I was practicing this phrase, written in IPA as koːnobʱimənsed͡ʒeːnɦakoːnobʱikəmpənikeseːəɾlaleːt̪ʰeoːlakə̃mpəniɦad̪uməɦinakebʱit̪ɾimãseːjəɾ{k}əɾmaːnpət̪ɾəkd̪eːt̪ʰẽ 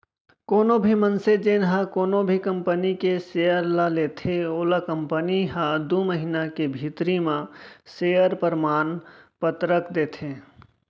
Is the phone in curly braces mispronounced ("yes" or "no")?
yes